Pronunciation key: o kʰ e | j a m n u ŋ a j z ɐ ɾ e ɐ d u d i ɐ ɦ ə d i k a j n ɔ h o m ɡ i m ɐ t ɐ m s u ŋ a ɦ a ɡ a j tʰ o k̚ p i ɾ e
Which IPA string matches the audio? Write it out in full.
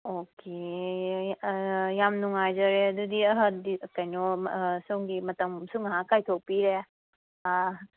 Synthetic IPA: o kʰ e | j a m n u ŋ a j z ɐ ɾ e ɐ d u d i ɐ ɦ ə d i k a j n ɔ s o ŋ ɡ i m ɐ t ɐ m s u ŋ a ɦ a k a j tʰ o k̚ p i ɾ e